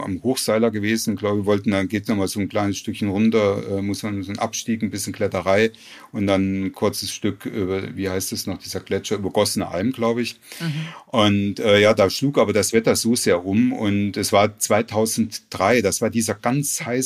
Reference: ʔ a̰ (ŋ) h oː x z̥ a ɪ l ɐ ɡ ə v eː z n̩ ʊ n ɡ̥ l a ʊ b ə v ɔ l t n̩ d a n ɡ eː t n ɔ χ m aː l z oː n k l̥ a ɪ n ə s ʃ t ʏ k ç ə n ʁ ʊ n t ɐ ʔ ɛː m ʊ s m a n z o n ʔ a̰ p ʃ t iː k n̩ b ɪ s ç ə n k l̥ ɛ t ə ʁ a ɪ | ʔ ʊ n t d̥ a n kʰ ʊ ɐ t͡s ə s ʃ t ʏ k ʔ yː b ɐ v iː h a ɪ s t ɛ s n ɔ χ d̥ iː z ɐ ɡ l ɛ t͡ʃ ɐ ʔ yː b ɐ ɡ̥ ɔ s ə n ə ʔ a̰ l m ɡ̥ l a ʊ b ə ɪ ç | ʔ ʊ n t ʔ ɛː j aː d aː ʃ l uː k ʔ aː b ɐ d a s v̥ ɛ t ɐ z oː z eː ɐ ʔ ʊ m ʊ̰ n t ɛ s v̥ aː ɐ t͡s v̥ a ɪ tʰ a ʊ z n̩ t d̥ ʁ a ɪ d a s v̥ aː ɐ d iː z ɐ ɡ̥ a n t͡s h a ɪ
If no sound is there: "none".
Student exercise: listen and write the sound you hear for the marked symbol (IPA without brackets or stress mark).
m